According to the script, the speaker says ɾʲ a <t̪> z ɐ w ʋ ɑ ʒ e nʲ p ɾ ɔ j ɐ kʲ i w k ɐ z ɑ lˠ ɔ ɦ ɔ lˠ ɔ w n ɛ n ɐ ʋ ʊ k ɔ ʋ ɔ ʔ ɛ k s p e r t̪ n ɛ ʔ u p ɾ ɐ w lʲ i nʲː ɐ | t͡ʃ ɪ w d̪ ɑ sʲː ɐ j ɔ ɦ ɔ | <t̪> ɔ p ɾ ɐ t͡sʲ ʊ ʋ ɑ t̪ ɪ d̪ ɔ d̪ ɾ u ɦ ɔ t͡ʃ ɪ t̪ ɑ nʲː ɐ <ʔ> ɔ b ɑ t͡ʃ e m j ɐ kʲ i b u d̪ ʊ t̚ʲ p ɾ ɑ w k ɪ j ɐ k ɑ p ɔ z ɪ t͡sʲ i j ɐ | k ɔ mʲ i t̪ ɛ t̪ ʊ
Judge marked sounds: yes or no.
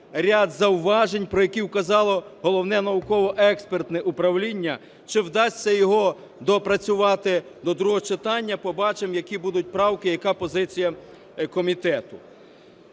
no, no, no

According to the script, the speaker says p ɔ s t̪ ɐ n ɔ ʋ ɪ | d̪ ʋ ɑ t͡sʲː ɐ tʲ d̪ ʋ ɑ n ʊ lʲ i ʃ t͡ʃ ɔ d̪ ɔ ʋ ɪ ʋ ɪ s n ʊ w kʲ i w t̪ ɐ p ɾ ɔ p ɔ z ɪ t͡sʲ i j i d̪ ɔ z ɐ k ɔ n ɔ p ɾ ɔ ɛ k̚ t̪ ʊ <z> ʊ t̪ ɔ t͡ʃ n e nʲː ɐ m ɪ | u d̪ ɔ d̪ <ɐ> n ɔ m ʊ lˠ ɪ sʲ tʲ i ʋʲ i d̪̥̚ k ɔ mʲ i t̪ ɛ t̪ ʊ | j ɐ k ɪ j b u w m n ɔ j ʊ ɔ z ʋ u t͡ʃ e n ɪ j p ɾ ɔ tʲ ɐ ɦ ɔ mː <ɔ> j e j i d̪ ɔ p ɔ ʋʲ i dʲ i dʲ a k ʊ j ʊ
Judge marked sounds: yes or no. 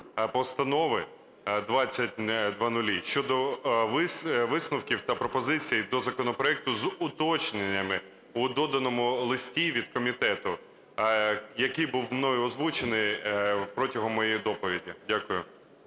yes, yes, yes

